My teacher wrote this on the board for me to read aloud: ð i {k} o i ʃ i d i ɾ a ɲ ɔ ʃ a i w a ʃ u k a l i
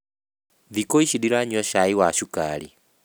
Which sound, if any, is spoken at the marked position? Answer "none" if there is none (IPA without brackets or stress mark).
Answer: k